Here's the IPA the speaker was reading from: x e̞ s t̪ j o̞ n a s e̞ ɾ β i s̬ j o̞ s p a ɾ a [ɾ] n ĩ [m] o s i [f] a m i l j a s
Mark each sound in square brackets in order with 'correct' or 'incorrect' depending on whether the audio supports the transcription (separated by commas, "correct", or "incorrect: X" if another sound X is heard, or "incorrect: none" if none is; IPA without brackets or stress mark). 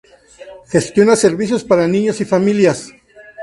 incorrect: none, incorrect: ɲ, correct